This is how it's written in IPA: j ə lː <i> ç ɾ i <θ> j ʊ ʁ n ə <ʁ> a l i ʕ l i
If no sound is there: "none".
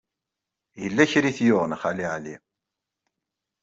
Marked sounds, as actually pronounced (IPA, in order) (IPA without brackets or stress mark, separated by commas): æ, θ, χ